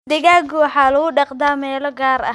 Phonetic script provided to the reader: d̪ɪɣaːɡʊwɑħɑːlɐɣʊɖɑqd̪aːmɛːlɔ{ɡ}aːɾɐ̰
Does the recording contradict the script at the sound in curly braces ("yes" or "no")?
no